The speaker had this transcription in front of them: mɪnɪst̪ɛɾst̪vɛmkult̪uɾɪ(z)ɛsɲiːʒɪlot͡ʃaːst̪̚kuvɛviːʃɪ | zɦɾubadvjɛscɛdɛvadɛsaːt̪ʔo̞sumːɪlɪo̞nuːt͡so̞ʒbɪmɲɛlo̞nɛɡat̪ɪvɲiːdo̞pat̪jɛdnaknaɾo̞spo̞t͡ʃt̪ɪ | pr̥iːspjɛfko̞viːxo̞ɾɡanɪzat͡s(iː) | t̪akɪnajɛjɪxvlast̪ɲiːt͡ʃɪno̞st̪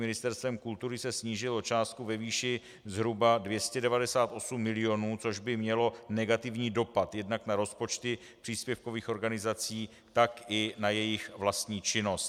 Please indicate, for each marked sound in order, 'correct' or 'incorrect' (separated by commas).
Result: incorrect, correct